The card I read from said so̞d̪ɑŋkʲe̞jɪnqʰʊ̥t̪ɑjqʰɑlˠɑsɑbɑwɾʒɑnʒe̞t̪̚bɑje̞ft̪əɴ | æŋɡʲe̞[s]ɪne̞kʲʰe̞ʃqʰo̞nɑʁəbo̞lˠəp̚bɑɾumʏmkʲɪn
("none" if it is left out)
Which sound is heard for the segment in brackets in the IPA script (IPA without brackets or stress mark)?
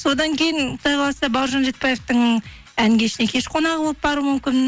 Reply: ʃ